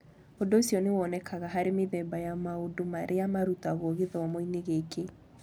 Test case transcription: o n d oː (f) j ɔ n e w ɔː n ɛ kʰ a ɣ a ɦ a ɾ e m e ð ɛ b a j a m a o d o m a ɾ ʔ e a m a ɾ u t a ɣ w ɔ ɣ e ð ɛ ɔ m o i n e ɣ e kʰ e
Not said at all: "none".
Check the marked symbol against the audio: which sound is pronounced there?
s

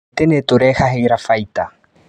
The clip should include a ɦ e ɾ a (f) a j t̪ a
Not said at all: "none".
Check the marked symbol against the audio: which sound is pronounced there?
f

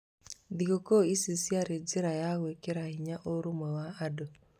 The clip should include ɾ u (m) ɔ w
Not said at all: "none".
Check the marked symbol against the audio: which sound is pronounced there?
m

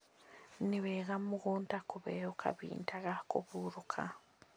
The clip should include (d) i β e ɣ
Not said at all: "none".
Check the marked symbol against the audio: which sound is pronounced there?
n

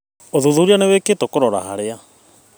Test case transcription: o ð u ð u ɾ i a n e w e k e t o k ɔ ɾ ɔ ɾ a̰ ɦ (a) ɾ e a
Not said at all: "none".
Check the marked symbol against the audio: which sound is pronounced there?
a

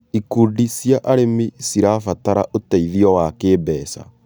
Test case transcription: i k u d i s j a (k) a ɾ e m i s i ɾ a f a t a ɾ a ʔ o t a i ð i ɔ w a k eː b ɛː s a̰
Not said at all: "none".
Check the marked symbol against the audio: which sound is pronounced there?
ʔ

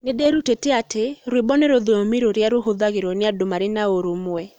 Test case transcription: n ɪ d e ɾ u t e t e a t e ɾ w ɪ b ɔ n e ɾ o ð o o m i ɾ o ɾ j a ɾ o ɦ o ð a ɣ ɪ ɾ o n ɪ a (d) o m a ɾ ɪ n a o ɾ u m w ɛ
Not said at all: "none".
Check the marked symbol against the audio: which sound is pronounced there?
d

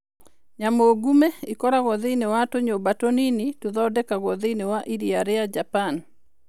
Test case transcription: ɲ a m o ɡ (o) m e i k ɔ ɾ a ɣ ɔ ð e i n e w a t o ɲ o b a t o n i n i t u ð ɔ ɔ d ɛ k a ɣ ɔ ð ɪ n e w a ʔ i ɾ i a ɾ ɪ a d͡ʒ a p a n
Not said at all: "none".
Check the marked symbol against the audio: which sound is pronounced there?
u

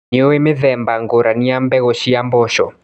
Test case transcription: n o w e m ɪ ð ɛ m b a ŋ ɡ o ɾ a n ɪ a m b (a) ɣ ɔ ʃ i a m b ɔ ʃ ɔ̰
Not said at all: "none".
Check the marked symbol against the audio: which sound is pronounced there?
ɛ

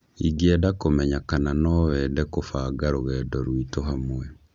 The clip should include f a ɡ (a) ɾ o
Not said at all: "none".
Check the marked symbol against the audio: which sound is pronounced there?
a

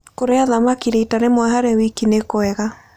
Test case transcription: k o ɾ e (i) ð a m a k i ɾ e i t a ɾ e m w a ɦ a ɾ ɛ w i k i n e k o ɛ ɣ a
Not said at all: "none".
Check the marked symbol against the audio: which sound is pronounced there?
a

